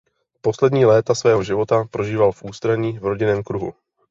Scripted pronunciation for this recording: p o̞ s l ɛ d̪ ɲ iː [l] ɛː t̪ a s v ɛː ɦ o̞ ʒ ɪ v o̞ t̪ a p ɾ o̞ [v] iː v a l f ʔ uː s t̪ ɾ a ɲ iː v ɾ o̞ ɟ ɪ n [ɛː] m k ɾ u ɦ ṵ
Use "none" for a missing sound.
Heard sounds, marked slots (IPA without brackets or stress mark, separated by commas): l, ʒ, ɛː